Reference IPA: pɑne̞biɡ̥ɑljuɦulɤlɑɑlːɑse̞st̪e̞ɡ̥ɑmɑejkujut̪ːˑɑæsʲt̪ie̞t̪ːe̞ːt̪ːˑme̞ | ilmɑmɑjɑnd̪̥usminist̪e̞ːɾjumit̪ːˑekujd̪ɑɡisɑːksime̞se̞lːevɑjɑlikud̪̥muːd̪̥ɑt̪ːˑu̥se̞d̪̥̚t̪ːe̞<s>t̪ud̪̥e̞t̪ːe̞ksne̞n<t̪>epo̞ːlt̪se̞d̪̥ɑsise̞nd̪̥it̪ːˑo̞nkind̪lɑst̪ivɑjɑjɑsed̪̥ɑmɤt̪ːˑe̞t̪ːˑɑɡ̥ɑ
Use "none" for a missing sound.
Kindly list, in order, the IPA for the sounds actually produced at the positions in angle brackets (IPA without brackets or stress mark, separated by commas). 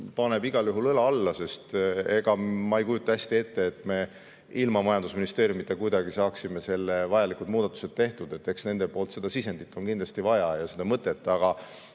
h, d̪